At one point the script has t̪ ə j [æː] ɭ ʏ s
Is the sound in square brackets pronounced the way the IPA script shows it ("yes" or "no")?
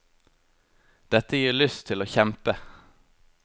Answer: no